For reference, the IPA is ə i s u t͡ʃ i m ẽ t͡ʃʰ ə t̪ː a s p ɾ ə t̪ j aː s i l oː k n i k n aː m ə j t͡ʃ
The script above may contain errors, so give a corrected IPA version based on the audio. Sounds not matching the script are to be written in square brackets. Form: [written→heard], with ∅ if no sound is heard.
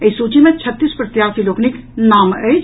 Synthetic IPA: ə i s u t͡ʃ i m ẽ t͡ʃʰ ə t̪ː [a→i] s p ɾ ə t̪ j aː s i l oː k n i k n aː m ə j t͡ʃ